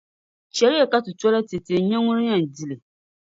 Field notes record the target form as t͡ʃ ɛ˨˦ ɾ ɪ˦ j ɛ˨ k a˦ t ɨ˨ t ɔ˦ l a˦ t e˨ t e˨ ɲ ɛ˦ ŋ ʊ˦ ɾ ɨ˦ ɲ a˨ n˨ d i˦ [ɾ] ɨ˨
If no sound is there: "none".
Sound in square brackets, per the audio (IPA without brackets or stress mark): l